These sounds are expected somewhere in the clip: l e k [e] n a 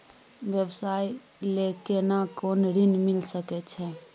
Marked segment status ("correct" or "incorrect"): correct